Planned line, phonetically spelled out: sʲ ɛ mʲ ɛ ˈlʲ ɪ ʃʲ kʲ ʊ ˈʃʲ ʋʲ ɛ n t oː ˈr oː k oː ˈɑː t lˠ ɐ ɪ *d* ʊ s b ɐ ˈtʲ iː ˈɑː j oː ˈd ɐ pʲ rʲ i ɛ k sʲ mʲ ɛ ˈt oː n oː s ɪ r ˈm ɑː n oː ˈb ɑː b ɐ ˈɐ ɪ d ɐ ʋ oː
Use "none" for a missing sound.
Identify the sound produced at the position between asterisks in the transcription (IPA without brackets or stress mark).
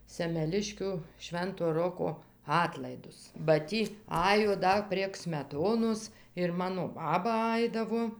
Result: d